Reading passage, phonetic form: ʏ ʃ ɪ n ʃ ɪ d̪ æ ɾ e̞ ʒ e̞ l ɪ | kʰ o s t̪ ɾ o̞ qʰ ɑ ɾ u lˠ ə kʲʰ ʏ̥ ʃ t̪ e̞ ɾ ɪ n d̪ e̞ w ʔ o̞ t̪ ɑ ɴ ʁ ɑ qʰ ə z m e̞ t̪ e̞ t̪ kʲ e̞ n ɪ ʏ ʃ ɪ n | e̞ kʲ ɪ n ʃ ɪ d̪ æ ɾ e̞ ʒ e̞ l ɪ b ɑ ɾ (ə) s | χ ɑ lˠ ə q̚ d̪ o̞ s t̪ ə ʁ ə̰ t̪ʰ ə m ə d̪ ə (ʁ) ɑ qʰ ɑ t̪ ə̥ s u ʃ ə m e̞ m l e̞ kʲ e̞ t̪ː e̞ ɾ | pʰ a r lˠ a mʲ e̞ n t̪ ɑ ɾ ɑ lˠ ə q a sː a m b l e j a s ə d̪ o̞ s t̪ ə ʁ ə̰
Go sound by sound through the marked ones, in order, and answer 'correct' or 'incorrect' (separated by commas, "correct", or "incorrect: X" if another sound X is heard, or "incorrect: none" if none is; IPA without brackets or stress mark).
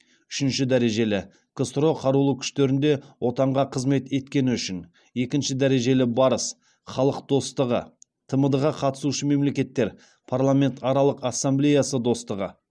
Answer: correct, correct